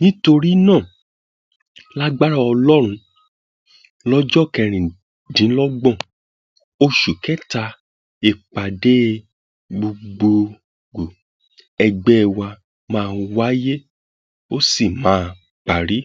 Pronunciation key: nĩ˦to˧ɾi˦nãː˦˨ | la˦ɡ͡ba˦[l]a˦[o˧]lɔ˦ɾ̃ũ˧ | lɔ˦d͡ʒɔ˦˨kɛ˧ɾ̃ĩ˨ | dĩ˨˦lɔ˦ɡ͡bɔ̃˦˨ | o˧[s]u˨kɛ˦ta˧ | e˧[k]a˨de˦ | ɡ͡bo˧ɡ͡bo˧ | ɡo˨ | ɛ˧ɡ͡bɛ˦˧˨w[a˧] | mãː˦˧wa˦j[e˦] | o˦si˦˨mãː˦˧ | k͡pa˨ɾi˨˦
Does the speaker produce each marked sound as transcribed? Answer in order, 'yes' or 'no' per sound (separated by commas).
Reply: no, no, no, no, yes, yes